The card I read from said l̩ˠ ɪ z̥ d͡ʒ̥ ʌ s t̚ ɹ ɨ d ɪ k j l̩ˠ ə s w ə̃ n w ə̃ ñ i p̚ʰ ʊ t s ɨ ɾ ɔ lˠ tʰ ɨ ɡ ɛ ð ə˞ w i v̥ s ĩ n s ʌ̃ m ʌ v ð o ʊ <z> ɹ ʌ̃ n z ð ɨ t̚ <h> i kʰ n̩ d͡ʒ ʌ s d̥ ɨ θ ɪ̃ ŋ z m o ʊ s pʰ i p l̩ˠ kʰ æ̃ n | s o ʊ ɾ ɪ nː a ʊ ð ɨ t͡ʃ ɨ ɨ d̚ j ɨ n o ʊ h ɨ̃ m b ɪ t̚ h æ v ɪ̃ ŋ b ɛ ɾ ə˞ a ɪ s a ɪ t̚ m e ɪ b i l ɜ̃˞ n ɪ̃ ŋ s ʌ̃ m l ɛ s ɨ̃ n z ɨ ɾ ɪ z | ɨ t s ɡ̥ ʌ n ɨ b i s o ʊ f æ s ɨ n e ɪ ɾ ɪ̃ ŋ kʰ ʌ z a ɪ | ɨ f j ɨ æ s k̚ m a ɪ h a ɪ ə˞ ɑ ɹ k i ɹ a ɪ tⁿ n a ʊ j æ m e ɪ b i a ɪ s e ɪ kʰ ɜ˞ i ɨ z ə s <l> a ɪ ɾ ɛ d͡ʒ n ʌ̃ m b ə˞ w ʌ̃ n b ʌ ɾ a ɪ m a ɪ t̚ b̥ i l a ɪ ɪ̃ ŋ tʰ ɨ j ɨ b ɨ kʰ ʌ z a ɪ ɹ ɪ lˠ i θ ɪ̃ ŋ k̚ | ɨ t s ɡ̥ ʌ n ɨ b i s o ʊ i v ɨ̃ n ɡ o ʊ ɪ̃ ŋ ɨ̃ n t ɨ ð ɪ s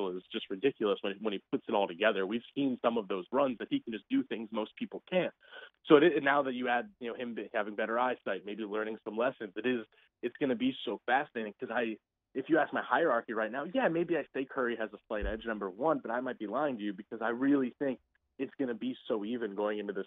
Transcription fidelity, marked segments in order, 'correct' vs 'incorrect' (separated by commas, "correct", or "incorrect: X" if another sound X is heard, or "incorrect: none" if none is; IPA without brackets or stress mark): correct, correct, correct